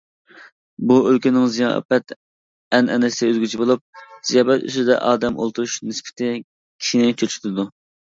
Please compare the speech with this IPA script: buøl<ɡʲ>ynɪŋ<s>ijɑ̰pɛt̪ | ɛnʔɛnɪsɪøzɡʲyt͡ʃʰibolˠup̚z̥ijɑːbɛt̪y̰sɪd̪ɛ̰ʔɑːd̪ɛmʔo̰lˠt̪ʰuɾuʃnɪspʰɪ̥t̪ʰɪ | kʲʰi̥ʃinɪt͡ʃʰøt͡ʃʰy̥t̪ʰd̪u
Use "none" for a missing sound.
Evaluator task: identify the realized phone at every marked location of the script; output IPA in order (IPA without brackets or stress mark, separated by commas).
kʲ, z